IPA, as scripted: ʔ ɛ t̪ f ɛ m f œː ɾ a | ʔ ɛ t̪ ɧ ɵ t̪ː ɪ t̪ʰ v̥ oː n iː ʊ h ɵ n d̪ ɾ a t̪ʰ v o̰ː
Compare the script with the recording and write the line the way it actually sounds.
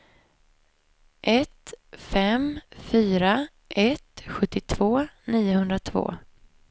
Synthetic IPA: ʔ ɛ t̪ f ɛ m f yː ɾ a | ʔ ɛ t̪ ɧ ɵ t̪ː ɪ t̪ʰ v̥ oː n iː ʊ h ɵ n d̪ ɾ a t̪ʰ v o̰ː